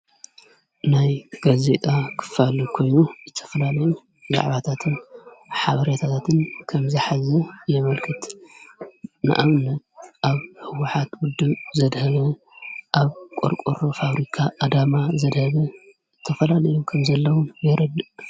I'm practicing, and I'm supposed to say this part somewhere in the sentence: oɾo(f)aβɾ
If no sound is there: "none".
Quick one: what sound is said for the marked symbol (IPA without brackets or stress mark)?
f